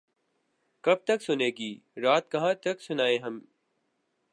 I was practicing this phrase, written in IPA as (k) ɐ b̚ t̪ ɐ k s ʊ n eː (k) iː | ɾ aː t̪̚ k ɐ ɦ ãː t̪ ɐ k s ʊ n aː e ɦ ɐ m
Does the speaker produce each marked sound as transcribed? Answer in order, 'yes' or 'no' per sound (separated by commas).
yes, no